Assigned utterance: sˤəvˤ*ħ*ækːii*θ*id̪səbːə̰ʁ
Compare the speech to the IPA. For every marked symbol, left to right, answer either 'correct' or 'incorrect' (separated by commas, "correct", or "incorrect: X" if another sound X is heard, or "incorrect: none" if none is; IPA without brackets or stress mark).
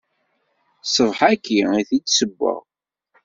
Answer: correct, correct